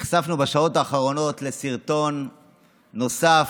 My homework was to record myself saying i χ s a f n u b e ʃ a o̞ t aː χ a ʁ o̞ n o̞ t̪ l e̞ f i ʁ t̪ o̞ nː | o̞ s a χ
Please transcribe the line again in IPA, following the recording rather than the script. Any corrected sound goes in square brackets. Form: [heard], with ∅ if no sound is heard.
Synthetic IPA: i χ s a f n u b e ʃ a o̞ t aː χ a ʁ o̞ n o̞ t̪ l e̞ [s] i ʁ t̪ o̞ nː | o̞ s a [f]